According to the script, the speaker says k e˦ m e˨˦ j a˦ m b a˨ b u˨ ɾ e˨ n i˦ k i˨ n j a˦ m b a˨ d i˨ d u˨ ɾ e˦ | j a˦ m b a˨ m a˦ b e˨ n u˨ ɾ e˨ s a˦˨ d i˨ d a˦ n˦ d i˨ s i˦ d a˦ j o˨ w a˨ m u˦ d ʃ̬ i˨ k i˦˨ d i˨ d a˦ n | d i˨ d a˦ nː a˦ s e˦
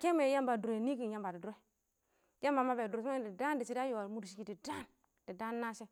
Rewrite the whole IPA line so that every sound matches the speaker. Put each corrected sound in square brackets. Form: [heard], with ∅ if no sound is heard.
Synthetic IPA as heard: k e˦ m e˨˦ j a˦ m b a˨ [d] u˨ ɾ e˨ n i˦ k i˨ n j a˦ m b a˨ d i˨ d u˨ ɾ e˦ | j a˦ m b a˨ m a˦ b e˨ [d] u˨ ɾ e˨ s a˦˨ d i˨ d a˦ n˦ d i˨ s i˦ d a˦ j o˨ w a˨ m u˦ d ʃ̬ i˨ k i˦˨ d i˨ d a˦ n | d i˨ d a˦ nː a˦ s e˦